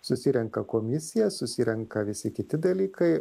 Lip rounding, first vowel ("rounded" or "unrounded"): rounded